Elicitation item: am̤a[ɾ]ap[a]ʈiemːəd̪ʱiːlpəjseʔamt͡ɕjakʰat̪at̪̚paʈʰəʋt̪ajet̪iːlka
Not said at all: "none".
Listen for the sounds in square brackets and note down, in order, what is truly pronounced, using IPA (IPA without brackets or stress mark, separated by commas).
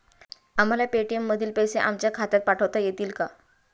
l, e